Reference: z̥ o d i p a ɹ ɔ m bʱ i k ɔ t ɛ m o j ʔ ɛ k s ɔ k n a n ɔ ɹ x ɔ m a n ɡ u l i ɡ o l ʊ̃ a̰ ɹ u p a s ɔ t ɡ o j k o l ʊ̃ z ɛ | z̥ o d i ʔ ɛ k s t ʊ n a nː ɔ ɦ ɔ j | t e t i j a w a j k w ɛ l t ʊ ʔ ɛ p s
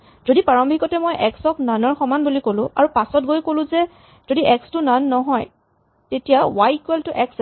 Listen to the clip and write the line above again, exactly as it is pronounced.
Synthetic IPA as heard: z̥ o d i p a ɹ ɔ m bʱ i k ɔ t ɛ m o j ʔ ɛ k s ɔ k n a n ɔ ɹ x ɔ m a n b u l i k o l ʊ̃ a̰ ɹ u p a s ɔ t ɡ o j k o l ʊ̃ z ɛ | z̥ o d i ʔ ɛ k s t ʊ n a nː ɔ ɦ ɔ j | t e t i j a w a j k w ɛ l t ʊ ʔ ɛ k s